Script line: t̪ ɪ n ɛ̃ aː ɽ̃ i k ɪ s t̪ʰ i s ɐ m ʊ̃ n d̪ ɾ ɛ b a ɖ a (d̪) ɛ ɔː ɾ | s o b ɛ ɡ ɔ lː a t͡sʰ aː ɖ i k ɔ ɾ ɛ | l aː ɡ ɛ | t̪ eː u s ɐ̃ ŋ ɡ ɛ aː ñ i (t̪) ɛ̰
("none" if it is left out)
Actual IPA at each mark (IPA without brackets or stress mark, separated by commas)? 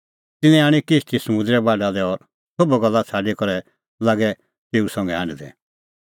d̪, d̪